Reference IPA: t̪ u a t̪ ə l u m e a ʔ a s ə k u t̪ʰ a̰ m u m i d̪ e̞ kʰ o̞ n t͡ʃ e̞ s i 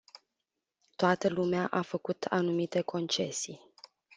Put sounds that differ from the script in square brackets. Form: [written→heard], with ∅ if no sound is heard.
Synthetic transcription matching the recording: t̪ [u→o] a t̪ ə l u m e a ʔ a [s→f] ə k u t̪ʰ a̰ [m→n] u m i [d̪→t̪] e̞ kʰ o̞ n t͡ʃ e̞ s i